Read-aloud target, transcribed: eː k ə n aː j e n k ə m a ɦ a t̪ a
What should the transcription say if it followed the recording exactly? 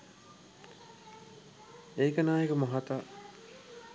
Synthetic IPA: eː k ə n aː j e k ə m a ɦ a t̪ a